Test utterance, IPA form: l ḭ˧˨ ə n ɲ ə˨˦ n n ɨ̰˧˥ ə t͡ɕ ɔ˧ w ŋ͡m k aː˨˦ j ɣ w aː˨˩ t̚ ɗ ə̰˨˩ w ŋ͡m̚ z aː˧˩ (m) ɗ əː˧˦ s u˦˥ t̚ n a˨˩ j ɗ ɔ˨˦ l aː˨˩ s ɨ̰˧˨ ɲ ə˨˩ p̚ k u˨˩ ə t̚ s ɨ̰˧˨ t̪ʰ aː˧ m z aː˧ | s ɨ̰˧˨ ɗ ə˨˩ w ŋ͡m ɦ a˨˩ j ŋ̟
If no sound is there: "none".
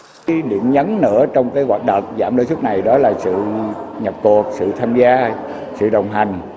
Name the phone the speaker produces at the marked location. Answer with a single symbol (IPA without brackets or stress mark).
m